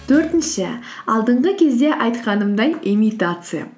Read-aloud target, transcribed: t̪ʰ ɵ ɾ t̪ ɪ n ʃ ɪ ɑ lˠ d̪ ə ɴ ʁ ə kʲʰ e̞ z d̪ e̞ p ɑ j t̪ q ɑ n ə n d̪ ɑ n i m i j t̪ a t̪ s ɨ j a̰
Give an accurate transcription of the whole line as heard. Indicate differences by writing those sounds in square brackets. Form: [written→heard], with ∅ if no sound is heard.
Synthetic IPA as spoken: t̪ʰ ɵ ɾ t̪ ɪ n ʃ ɪ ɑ lˠ d̪ ə ɴ ʁ ə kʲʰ e̞ z d̪ e̞ [p→ʔ] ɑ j t̪ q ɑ n ə [n→m] d̪ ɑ n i m i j t̪ a t̪ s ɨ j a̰